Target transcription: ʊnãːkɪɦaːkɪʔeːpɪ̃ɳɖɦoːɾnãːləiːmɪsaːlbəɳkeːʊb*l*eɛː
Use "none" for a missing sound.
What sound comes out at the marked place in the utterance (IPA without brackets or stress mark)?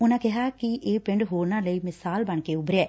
ɾ